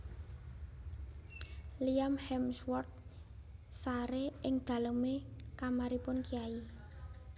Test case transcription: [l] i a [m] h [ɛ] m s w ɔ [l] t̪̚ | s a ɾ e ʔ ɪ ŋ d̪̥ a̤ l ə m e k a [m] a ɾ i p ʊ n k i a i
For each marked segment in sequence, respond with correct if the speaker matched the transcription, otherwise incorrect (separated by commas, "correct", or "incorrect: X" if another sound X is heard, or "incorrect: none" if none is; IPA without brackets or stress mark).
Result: correct, correct, correct, incorrect: r, correct